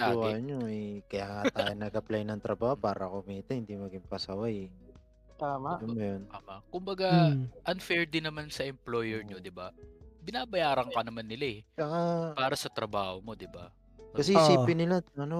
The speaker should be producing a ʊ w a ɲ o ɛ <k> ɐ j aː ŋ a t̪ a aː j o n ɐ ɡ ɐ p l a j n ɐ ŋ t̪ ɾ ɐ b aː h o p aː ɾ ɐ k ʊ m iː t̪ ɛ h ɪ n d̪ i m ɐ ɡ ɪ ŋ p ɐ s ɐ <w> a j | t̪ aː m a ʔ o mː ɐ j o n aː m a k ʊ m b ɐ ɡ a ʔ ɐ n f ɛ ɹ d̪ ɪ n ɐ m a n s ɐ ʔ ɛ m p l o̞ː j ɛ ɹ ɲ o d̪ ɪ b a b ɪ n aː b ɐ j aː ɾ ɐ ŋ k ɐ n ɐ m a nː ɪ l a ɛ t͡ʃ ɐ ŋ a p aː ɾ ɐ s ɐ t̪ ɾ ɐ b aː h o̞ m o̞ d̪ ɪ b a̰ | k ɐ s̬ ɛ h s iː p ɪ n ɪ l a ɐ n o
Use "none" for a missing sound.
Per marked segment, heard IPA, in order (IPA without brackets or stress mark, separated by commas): k, w